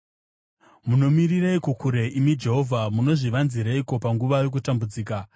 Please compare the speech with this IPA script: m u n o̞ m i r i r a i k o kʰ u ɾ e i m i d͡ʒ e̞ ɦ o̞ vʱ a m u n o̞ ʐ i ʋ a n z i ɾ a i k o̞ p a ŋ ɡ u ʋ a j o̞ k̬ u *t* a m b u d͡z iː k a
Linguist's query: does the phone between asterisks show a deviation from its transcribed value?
no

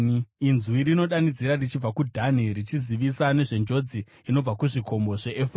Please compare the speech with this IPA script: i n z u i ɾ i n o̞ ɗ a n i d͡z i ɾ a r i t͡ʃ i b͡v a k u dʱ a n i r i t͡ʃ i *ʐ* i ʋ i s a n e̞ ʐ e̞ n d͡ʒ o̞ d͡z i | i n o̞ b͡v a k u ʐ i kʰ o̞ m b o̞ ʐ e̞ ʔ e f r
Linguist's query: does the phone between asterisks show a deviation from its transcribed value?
yes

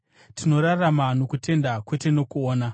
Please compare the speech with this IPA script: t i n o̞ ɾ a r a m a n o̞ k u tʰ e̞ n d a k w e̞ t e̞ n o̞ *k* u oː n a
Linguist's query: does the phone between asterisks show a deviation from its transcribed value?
no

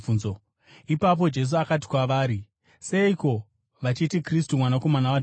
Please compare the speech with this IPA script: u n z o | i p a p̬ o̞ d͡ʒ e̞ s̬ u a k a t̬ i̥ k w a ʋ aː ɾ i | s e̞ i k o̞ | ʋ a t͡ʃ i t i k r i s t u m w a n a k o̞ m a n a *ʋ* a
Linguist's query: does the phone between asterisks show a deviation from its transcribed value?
yes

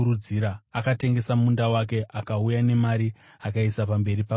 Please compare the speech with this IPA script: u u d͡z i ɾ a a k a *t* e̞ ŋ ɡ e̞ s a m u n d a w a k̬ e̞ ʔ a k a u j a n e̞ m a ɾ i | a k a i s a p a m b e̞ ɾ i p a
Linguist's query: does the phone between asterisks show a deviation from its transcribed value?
no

